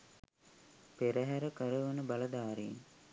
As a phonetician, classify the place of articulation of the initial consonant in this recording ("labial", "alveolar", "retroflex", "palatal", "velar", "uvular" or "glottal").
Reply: labial